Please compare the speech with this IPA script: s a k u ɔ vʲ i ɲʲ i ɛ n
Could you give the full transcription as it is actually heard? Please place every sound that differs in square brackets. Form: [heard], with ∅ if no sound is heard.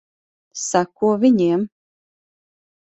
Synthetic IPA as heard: s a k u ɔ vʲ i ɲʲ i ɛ [m]